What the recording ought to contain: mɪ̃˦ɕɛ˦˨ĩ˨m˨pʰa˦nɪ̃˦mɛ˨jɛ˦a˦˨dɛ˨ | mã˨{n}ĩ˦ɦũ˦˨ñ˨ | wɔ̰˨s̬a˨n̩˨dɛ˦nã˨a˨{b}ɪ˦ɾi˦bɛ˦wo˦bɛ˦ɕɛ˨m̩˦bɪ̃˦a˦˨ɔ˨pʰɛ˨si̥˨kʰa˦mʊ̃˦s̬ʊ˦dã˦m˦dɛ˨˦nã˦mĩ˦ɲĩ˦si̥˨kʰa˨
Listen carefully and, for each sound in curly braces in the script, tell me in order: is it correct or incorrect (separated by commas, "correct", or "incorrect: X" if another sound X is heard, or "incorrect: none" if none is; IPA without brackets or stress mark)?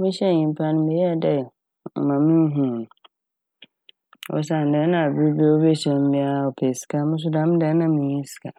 incorrect: m, correct